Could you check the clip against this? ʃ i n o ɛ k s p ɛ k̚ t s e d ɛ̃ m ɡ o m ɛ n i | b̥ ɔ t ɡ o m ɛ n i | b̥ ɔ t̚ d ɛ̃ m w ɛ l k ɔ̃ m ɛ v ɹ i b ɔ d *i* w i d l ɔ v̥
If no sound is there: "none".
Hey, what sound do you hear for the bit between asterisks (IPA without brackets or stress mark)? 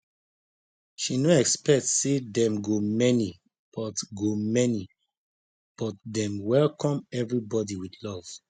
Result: i